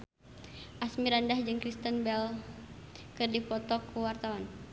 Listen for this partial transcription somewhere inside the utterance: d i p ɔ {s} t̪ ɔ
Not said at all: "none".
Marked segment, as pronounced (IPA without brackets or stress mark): none